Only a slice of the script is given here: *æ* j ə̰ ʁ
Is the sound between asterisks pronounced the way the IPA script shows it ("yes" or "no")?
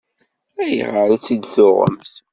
yes